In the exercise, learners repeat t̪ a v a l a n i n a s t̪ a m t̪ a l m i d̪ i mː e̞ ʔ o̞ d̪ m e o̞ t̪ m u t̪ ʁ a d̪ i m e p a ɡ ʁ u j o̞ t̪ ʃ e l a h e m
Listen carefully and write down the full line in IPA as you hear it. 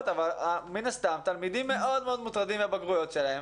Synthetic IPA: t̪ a v a l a m i n a s t̪ a m t̪ a l m i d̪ i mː e̞ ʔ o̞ d̪ m e o̞ d̪ m u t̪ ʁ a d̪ i m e b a ɡ ʁ u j o̞ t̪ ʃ e l a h e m